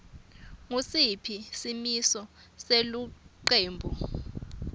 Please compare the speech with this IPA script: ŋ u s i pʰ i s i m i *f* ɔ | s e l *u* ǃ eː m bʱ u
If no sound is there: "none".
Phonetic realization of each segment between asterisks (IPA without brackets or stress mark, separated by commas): s, u